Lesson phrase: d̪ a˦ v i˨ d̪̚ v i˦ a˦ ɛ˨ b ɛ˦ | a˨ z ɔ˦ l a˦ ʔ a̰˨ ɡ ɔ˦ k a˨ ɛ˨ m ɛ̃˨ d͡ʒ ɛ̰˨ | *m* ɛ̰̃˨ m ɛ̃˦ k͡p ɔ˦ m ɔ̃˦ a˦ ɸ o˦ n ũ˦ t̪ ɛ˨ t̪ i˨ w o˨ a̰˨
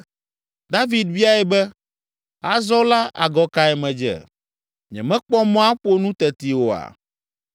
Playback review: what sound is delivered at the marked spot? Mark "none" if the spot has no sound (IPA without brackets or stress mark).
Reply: ɲ